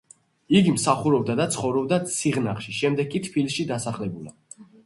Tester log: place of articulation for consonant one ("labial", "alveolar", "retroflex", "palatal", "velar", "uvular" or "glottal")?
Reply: velar